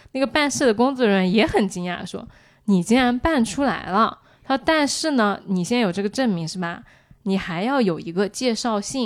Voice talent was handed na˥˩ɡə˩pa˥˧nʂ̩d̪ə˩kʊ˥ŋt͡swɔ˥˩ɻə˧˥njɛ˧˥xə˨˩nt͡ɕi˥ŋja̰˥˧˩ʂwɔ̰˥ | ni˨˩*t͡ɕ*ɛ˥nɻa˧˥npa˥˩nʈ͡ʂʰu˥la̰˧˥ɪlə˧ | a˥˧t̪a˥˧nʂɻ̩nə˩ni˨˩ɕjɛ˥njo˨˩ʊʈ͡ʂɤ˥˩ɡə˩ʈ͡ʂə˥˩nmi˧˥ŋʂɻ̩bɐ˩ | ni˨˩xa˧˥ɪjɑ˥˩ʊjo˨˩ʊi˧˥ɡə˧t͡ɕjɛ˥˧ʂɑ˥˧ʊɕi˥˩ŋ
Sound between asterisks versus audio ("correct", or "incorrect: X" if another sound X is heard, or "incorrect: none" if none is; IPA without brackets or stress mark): correct